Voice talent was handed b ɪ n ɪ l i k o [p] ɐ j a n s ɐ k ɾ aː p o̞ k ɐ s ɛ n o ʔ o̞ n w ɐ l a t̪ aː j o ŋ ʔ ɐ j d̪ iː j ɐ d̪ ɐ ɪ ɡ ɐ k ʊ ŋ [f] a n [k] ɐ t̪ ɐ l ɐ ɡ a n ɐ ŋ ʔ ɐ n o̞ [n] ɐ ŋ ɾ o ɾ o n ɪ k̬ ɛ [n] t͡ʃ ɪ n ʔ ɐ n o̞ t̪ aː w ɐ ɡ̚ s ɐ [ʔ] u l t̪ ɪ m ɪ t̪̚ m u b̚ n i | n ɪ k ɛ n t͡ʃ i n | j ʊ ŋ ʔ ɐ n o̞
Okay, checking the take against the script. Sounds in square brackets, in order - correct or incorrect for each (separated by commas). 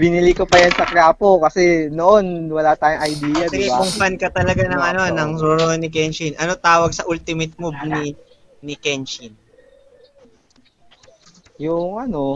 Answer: correct, correct, correct, correct, correct, correct